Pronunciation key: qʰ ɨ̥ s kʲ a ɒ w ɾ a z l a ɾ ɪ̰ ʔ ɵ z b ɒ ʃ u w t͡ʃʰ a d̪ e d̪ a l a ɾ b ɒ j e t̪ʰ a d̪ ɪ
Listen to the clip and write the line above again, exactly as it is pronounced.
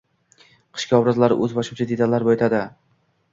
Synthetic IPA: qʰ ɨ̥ ʃ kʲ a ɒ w ɾ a z l a ɾ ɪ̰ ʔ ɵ z b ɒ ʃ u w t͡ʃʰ a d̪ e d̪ a l a ɾ b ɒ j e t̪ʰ a d̪ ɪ